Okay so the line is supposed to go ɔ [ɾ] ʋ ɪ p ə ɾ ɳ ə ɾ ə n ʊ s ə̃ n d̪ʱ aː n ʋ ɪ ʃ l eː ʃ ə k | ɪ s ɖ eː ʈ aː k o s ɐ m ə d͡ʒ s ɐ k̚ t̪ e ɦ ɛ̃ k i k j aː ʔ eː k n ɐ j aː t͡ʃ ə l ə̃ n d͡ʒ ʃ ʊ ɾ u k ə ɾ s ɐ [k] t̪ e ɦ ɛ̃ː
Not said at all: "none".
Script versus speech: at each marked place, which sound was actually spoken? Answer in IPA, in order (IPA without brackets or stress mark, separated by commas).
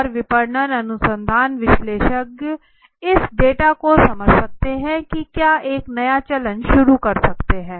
ɾ, k